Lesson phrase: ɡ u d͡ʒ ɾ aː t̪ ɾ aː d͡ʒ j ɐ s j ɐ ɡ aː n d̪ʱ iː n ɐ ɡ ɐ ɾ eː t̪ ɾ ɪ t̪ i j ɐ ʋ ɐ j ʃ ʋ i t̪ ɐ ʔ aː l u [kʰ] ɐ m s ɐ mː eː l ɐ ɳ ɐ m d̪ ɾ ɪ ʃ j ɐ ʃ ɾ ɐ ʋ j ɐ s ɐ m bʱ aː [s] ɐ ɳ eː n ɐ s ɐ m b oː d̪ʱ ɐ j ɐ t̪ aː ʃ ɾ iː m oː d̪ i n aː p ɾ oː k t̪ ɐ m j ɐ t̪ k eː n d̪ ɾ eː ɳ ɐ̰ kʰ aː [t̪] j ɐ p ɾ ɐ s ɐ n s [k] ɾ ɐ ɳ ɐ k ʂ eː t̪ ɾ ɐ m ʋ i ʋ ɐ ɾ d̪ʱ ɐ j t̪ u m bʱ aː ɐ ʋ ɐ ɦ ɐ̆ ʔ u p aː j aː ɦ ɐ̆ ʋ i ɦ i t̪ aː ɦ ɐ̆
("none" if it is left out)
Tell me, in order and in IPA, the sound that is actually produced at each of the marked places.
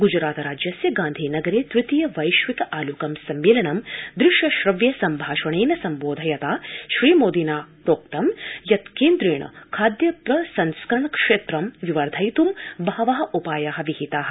k, ʃ, d̪, k

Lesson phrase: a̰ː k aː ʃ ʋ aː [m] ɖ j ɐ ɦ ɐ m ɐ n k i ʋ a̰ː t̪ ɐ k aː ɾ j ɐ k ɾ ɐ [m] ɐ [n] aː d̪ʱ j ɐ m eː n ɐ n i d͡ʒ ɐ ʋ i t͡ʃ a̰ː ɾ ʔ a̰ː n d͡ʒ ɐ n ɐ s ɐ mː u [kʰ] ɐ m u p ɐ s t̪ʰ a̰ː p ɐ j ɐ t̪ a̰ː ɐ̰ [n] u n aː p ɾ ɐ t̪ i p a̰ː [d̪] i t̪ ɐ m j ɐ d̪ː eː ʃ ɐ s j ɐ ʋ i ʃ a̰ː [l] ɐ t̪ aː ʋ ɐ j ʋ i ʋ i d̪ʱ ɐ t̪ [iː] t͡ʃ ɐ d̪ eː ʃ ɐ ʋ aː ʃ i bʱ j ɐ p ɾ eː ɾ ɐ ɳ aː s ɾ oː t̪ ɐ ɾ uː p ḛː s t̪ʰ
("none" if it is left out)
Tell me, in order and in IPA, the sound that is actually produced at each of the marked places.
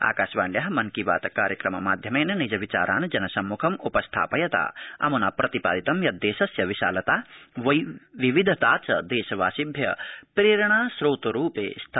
ɳ, m, m, kʰ, m, d̪, l, aː

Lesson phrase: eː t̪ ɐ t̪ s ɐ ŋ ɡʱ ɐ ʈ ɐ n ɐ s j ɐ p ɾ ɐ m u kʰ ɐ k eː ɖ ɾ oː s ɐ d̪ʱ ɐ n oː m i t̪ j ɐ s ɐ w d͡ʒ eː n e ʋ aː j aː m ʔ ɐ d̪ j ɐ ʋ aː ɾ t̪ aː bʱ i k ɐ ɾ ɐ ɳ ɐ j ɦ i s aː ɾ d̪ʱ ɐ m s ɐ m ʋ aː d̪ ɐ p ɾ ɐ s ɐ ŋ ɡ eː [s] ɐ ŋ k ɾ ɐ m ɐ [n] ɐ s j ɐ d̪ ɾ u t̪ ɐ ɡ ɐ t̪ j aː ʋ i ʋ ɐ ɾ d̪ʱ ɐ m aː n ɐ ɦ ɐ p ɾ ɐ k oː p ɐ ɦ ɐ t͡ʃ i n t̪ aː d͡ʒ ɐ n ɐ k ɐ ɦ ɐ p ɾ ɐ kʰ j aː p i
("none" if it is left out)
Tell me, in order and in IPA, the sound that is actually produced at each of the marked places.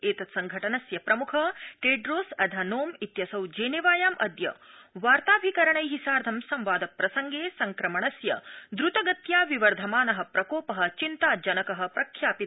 s, ɳ

